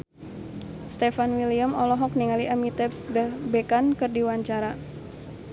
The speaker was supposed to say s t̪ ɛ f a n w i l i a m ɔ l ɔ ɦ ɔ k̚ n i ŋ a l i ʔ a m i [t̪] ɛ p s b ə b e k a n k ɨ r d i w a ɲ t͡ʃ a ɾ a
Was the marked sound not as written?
no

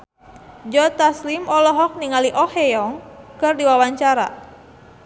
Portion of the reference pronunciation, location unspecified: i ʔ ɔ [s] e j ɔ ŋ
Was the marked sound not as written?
yes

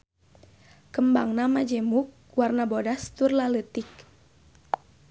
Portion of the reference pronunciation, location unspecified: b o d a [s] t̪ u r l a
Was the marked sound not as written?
no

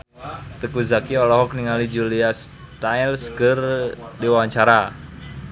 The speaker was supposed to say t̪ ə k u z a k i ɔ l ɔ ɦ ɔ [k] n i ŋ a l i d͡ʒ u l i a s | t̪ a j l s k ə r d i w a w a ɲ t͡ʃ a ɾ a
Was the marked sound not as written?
no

